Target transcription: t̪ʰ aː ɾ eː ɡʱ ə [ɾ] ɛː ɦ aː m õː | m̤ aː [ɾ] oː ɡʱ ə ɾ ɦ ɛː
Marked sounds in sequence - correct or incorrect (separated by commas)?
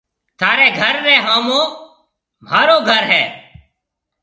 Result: incorrect, correct